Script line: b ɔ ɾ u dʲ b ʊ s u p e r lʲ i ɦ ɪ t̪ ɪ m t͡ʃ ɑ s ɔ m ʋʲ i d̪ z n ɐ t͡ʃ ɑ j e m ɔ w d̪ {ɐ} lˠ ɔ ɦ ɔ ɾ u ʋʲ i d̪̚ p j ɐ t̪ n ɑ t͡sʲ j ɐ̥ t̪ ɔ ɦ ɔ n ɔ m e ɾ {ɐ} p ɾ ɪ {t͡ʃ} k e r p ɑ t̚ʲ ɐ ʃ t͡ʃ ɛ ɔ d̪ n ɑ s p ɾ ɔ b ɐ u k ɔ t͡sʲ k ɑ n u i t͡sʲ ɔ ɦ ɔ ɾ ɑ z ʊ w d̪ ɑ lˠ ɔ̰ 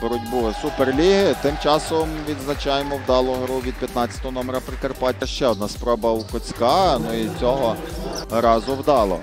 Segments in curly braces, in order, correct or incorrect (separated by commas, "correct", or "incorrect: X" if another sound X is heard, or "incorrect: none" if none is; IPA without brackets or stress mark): incorrect: ɑ, correct, incorrect: none